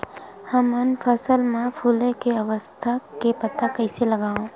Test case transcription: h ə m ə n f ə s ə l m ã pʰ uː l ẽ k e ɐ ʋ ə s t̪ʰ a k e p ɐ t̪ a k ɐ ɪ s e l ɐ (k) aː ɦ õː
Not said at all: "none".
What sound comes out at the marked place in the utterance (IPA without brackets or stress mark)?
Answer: ɡ